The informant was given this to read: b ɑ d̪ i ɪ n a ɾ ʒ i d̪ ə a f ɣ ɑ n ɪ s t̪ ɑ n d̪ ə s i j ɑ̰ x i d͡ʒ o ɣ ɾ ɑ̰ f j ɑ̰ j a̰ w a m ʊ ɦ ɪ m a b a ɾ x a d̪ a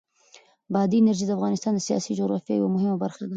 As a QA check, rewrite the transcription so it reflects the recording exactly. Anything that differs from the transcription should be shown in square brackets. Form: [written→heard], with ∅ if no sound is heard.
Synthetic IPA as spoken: b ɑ d̪ i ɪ n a ɾ ʒ i d̪ ə a f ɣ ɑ n ɪ s t̪ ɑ n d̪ ə s i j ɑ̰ [x→s] i d͡ʒ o ɣ ɾ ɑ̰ f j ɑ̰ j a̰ w a m ʊ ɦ ɪ m a b a ɾ x a d̪ a